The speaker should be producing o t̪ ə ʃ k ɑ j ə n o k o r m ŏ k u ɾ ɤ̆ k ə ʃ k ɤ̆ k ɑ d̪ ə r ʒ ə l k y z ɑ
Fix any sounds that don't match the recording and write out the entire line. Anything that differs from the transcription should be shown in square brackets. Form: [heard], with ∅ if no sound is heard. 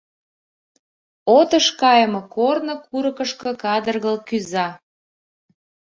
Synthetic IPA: o t̪ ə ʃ k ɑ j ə [m] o k o r [n] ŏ k u ɾ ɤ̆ k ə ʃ k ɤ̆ k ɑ d̪ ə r [ɣ] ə l k y z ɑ